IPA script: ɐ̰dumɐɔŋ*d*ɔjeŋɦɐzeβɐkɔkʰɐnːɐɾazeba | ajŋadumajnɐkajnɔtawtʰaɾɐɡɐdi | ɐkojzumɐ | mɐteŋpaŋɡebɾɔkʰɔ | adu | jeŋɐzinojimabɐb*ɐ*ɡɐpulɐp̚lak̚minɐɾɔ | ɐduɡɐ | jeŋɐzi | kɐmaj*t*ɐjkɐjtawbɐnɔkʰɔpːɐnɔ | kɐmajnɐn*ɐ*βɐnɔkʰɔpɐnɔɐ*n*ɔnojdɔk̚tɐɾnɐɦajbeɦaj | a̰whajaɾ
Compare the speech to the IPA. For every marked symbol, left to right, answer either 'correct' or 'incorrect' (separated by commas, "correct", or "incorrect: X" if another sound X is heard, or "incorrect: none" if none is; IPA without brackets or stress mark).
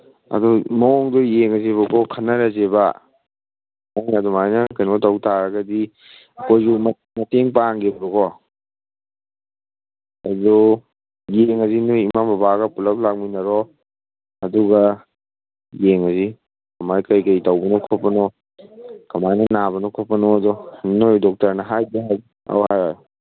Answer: correct, incorrect: a, incorrect: k, incorrect: a, incorrect: d